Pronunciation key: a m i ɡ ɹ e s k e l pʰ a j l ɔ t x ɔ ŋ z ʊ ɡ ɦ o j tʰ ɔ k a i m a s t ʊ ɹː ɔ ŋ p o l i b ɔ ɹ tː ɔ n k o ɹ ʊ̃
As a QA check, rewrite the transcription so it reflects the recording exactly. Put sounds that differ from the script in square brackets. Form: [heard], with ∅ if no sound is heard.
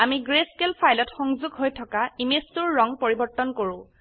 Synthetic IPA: a m i ɡ ɹ e s k e l pʰ a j l ɔ t x ɔ ŋ z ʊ ɡ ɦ o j tʰ ɔ k a i m [e] s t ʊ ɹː ɔ ŋ p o [ɹ] i b ɔ ɹ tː ɔ n k o ɹ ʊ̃